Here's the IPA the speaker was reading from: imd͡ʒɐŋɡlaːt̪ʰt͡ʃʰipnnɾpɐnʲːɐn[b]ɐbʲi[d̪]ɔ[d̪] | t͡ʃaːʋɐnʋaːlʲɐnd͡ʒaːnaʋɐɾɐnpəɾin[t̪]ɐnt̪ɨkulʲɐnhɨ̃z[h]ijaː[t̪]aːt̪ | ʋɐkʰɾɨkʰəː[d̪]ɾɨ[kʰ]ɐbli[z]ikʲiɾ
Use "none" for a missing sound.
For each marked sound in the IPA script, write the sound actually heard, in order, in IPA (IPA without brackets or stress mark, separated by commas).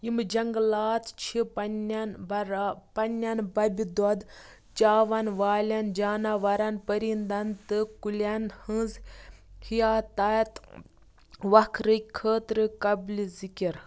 b, d̪, d̪, d̪, h, t̪, t̪, k, z